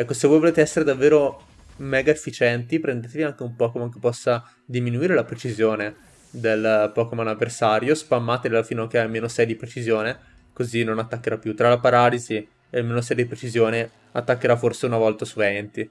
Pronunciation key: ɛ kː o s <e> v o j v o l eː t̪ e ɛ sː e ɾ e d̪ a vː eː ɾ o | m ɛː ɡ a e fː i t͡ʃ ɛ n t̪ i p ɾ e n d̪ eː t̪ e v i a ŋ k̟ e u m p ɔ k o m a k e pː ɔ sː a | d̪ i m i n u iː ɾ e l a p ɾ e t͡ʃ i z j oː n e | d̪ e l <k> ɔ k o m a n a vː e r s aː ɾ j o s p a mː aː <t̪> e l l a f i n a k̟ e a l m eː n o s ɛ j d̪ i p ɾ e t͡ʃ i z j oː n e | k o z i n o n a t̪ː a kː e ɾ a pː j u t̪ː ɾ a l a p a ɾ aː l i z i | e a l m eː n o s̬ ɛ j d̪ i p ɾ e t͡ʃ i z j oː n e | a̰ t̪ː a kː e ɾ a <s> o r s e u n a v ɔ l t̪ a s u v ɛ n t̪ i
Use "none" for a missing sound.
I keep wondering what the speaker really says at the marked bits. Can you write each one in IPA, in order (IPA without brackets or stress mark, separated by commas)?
e, p, t̪, f